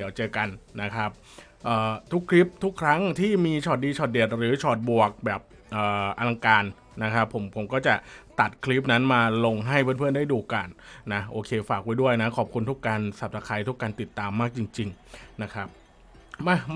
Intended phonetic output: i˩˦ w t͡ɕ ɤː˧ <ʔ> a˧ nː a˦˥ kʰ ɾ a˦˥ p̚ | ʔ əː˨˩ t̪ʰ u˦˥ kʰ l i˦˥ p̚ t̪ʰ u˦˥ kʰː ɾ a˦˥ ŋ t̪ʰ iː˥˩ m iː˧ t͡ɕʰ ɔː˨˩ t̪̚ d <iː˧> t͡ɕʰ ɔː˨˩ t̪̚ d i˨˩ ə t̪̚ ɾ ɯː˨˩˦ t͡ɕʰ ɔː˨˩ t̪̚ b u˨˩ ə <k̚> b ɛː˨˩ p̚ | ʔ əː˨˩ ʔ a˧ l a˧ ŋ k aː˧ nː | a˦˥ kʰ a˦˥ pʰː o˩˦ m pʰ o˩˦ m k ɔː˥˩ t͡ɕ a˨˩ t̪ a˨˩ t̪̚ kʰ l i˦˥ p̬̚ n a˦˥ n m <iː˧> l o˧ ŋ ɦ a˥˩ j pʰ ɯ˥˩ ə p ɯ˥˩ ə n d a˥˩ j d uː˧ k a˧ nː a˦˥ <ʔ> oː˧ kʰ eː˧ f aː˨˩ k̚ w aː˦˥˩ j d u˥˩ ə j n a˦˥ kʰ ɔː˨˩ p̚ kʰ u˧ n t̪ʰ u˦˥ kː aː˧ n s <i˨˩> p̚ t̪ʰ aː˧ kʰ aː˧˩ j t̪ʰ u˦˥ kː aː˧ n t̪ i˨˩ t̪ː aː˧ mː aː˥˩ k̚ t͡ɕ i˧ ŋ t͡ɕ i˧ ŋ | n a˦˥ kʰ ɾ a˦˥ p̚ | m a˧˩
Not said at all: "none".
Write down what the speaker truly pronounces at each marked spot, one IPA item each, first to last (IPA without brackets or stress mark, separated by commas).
k, iː˧, k̚, aː˧, ʔ, a˨˩